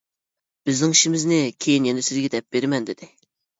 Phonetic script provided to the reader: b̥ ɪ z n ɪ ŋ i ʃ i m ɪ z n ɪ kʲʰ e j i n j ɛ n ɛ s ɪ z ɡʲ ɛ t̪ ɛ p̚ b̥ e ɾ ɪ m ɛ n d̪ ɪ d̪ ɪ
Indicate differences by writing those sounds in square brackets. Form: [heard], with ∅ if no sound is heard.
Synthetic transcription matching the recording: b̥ ɪ z n ɪ ŋ i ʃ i m ɪ z n ɪ kʲʰ e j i n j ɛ n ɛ s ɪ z ɡʲ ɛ [d̪] ɛ p̚ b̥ e ɾ ɪ m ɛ n d̪ ɪ d̪ ɪ